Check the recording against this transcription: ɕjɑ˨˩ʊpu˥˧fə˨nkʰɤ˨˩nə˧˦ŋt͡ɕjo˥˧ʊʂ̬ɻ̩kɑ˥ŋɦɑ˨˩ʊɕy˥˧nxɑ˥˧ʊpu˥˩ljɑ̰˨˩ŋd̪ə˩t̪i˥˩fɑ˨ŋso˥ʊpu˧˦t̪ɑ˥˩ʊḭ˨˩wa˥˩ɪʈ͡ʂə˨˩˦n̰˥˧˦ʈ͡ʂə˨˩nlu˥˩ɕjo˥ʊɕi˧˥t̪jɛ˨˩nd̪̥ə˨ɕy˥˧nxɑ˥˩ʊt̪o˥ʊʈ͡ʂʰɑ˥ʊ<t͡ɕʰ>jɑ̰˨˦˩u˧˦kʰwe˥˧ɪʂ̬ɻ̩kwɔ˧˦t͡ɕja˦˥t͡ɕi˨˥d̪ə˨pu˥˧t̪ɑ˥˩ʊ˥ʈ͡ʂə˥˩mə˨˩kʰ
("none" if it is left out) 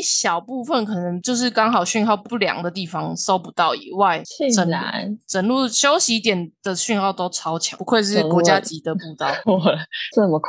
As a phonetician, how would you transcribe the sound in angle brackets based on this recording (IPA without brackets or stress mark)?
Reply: t͡ɕʰ